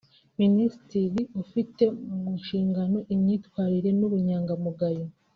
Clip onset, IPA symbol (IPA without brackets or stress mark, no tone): m